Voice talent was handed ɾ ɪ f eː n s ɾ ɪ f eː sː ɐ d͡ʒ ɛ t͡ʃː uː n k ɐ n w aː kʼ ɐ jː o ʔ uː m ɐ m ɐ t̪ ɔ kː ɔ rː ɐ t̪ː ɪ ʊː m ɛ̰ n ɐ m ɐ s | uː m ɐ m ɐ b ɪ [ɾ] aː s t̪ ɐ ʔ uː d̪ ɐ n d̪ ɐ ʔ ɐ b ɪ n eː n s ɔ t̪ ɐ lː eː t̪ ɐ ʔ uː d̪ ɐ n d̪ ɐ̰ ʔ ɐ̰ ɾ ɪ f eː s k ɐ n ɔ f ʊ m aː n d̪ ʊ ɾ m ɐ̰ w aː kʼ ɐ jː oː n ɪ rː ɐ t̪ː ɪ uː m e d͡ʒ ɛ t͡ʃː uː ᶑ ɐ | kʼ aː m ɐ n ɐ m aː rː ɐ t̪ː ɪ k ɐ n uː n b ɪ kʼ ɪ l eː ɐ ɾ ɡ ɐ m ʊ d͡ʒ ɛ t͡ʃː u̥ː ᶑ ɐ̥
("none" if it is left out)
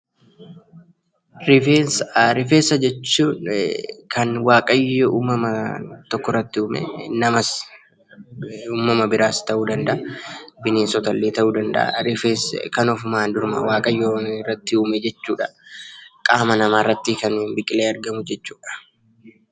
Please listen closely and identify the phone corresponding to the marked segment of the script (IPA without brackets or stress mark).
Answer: ɾ